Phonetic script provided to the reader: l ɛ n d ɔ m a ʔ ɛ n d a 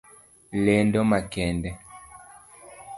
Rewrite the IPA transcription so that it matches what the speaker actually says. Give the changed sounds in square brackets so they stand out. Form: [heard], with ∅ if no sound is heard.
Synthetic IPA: l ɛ n d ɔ m a [k] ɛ n d [ɛ]